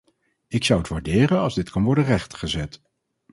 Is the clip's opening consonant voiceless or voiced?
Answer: voiceless